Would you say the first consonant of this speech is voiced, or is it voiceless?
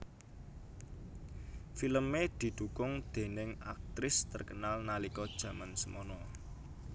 voiceless